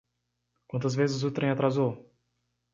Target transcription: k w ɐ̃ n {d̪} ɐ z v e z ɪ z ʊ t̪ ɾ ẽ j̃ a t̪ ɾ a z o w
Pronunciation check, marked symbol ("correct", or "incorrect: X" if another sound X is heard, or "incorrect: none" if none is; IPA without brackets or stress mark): incorrect: t̪